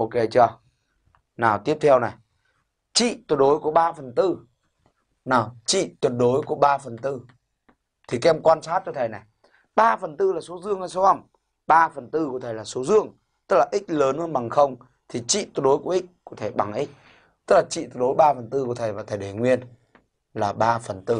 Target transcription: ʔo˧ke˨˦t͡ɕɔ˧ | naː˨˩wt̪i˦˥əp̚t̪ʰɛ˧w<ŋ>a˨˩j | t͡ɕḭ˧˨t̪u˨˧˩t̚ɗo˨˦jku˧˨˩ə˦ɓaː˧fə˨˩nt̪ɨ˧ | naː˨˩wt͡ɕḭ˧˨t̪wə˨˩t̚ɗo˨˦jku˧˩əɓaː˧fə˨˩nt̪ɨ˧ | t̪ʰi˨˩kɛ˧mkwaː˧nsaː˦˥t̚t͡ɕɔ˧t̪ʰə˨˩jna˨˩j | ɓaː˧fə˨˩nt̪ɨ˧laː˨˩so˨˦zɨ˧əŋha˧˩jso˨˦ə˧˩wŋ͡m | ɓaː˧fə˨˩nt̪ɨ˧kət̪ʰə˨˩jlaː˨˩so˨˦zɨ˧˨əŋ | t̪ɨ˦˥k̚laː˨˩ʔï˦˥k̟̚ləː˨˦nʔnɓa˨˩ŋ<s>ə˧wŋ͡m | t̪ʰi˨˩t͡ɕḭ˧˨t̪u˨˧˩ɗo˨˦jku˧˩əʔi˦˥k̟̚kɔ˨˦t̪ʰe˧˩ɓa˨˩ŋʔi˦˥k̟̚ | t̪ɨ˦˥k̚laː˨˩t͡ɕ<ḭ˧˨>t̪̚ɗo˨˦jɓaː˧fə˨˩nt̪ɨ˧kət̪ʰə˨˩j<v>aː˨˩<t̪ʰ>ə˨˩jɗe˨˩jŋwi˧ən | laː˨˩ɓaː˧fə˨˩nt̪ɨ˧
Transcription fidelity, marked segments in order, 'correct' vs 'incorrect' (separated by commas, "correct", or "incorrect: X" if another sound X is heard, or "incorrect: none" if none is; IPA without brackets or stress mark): incorrect: n, incorrect: x, correct, correct, correct